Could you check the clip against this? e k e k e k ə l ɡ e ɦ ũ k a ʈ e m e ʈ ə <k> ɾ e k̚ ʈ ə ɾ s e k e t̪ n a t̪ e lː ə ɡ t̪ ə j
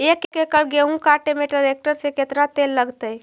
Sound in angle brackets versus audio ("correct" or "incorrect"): incorrect